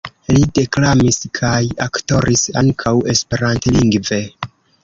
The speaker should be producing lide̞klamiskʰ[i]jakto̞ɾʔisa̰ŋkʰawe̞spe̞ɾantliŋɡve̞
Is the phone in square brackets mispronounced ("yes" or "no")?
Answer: yes